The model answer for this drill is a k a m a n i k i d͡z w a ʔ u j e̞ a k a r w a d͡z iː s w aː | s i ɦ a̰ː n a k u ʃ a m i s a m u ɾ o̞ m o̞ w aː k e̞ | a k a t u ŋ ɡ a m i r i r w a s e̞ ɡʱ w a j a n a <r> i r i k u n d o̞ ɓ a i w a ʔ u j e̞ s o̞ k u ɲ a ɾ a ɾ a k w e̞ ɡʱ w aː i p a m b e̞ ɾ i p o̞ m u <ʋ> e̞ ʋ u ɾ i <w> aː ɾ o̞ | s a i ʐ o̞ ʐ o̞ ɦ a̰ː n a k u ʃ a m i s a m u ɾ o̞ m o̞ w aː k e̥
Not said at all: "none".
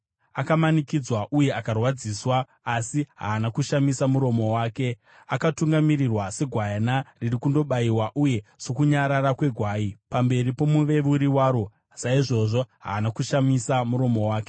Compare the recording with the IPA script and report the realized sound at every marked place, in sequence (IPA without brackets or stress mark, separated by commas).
r, ʋ, w